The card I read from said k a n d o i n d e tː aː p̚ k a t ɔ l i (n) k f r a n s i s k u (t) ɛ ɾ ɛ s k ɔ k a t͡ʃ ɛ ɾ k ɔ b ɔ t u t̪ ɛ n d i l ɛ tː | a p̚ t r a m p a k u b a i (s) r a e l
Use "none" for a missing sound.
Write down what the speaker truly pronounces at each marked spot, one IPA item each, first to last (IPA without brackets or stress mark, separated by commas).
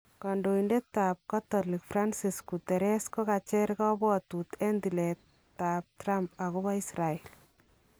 none, t, s